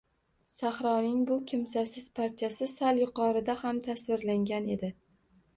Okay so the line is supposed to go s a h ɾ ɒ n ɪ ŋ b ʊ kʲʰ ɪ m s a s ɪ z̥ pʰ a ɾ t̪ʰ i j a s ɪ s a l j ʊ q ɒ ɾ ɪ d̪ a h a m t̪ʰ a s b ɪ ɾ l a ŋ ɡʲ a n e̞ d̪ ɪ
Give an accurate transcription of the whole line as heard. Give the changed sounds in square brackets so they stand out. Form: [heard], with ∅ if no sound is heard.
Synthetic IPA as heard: s a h ɾ ɒ n ɪ ŋ b ʊ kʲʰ ɪ m s a s ɪ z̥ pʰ a ɾ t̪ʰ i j a s ɪ s a l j ʊ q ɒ ɾ ɪ d̪ a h a m t̪ʰ a s [v] ɪ ɾ l a ŋ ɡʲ a n e̞ d̪ ɪ